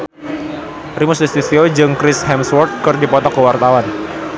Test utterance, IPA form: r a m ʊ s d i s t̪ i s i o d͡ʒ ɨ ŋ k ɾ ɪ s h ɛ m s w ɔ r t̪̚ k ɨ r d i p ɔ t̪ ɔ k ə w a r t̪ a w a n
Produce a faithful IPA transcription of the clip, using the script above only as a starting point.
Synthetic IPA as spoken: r i m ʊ s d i s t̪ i s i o d͡ʒ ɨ ŋ k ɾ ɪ s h ɛ m s w ɔ r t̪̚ k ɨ r d i p ɔ t̪ ɔ k ə w a r t̪ a w a n